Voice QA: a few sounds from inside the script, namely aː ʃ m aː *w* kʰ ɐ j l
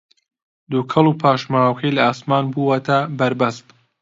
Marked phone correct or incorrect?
correct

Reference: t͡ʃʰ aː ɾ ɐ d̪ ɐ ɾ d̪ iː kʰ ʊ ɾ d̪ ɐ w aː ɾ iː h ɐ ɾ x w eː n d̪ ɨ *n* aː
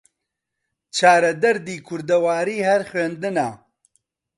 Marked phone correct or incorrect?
correct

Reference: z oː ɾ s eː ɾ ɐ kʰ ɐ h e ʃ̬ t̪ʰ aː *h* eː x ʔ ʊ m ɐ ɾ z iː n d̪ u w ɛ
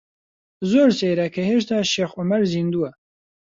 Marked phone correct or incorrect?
incorrect: ʃ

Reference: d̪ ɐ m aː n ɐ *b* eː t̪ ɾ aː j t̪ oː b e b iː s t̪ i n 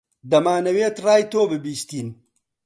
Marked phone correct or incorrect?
incorrect: w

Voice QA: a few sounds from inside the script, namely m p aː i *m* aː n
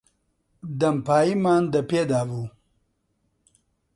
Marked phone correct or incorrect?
correct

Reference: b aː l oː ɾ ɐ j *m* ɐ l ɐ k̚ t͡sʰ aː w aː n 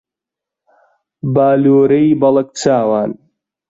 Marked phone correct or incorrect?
incorrect: b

